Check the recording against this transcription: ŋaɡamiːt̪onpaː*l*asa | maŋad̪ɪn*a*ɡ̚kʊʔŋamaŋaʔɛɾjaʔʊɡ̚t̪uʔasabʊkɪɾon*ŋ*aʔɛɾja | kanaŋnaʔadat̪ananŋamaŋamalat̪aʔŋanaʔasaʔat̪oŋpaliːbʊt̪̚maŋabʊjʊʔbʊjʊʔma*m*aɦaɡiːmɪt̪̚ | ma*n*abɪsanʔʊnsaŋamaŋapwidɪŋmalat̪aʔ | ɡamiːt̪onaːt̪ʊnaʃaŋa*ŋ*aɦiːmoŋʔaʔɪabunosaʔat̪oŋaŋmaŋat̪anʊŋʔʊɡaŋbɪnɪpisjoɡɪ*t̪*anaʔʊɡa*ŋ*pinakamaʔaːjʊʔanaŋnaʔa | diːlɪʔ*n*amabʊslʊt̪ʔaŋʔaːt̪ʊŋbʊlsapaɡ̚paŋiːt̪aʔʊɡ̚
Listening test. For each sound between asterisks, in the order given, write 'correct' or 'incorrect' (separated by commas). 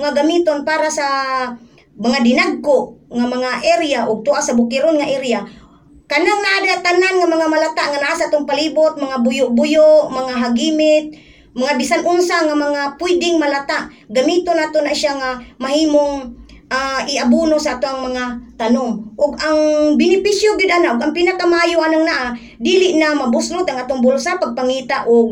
incorrect, correct, correct, incorrect, incorrect, incorrect, incorrect, correct, correct